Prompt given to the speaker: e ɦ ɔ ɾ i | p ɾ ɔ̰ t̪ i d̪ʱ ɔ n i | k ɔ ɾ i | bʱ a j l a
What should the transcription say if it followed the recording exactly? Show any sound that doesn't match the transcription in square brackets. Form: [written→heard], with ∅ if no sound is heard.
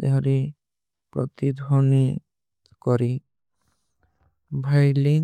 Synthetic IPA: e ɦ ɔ ɾ i | p ɾ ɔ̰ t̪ i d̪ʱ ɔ n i | k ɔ ɾ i | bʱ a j l [a→i]